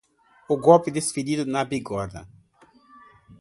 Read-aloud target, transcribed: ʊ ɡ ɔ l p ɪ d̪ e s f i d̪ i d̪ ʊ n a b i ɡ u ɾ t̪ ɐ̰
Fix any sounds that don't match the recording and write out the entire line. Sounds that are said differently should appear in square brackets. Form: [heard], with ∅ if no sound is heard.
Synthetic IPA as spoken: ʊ ɡ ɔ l p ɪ d̪ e s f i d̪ i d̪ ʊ n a b i ɡ [ɔ] ɾ [d̪] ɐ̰